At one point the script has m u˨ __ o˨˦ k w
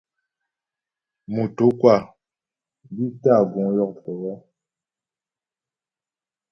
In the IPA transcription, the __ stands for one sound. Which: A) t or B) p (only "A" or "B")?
A